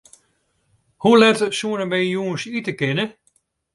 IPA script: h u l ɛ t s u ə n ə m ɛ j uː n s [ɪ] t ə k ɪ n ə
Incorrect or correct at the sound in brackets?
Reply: incorrect: i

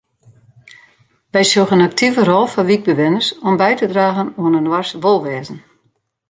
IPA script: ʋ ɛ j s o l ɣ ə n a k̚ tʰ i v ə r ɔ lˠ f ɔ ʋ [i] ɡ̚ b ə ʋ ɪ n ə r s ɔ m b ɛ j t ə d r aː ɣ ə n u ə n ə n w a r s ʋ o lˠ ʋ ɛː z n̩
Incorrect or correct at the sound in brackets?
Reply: correct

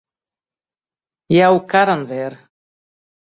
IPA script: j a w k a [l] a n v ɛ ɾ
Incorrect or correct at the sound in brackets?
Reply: incorrect: ɾ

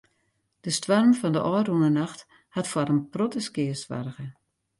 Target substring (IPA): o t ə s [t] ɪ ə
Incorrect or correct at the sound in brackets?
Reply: incorrect: k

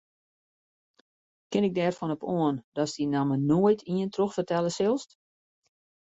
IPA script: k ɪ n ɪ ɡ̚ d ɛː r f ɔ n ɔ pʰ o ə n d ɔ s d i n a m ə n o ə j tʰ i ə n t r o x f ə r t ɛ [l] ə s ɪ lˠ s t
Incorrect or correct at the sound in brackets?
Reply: correct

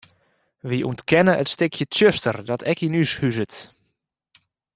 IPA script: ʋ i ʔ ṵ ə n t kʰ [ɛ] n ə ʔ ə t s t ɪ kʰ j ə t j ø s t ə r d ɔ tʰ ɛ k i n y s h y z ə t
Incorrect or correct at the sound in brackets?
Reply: correct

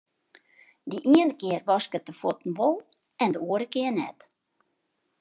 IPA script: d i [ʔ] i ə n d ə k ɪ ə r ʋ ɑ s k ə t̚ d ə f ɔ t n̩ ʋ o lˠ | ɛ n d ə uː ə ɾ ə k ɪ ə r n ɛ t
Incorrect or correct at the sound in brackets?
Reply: correct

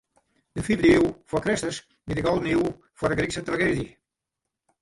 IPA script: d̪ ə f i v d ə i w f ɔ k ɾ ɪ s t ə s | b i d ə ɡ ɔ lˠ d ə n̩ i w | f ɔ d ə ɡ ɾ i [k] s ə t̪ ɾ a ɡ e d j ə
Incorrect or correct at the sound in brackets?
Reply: correct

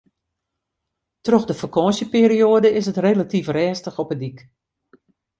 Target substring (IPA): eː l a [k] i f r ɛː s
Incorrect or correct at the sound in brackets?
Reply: incorrect: t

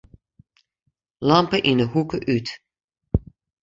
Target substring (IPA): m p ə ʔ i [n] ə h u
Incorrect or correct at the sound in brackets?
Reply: correct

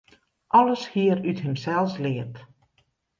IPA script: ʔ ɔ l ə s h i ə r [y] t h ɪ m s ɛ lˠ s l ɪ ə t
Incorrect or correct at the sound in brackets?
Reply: correct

